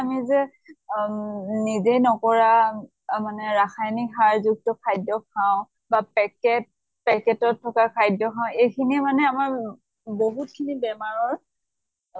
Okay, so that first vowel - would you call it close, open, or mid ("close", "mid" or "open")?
open